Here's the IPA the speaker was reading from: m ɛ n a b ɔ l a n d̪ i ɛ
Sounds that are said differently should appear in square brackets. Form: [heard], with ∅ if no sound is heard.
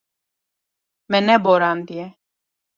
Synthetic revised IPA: m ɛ n [ɛ] b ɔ [ɾ] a n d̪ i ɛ